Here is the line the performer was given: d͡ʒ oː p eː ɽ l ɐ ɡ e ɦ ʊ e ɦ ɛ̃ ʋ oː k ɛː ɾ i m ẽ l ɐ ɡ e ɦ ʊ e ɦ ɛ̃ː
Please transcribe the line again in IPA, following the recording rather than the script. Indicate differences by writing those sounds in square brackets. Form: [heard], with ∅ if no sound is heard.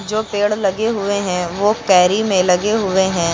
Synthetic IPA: d͡ʒ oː p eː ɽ l ɐ ɡ e ɦ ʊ e ɦ ɛ̃ ʋ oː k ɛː ɾ i m ẽ l ɐ ɡ e ɦ ʊ e ɦ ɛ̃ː